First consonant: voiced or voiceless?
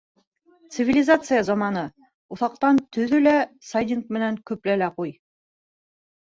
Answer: voiceless